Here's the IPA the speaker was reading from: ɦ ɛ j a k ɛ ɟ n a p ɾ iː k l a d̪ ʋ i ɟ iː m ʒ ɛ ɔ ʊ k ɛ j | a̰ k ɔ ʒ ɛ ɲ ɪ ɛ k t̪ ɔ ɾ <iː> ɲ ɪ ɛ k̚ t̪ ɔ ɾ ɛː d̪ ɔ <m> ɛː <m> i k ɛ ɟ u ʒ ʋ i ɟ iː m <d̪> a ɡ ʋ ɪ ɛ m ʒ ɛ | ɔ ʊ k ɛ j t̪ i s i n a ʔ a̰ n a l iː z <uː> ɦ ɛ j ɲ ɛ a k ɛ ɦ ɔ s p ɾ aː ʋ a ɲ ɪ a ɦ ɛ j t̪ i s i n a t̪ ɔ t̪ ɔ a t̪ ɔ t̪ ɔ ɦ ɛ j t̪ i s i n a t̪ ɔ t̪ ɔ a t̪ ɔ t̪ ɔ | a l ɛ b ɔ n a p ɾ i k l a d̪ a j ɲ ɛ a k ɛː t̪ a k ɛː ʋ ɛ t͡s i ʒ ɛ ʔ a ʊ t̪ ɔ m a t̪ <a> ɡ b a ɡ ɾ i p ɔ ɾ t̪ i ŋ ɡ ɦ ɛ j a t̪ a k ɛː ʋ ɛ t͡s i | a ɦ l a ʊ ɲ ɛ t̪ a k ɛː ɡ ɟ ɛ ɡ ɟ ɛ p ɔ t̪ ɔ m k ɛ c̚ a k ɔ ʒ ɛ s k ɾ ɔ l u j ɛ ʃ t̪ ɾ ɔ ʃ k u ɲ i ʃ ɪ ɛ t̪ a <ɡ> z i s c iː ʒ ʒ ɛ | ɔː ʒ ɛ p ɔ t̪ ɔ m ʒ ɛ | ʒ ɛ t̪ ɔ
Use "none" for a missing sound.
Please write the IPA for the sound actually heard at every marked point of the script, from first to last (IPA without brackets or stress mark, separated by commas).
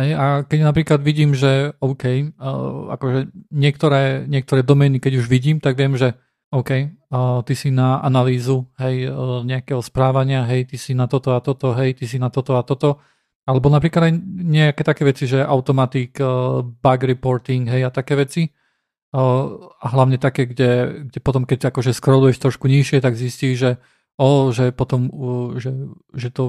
ɛː, m, n, t̪, u, i, ɡ